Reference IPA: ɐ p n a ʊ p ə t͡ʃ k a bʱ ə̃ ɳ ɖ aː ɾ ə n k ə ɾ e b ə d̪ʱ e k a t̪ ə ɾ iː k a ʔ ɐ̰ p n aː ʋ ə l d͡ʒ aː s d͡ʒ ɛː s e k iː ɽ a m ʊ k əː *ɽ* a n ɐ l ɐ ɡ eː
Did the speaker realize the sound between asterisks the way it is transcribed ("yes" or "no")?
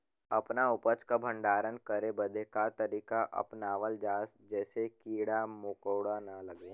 yes